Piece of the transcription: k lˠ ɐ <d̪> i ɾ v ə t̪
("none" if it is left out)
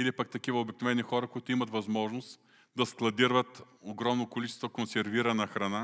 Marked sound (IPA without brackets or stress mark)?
d̪